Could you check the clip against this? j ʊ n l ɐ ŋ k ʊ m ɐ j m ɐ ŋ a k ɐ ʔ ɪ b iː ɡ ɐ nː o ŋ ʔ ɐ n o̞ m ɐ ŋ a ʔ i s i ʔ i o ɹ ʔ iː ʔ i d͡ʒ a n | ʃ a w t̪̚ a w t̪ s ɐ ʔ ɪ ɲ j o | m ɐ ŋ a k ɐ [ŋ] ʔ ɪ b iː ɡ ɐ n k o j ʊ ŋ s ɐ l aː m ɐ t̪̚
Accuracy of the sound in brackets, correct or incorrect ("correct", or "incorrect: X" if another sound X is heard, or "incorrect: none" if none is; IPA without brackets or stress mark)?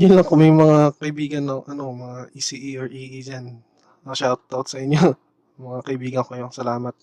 incorrect: none